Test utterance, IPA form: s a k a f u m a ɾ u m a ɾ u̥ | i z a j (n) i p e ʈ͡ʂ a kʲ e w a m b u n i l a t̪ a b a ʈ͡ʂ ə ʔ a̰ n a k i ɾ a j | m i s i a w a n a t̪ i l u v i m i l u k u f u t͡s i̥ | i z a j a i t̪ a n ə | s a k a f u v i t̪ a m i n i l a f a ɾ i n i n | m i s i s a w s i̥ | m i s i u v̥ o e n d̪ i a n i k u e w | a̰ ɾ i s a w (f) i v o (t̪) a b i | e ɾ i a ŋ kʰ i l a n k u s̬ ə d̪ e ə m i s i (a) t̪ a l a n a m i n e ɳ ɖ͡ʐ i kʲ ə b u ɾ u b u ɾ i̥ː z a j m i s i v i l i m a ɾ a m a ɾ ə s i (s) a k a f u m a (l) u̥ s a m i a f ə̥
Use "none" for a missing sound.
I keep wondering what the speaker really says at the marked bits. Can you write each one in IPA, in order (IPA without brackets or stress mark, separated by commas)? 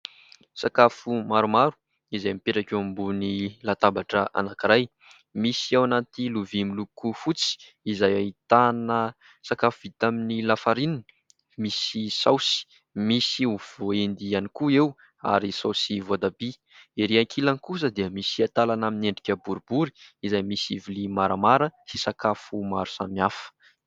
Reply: m, s, d̪, a, s, ɾ